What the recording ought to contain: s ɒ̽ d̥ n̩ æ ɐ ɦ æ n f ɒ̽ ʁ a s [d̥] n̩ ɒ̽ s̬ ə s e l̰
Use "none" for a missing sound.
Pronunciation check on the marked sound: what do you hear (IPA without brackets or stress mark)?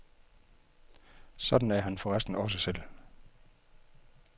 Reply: d̥